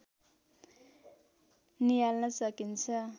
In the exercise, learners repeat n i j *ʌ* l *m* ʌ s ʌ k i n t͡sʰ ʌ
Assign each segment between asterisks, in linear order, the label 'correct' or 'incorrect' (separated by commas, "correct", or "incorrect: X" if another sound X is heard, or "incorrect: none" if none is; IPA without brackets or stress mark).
incorrect: a, incorrect: n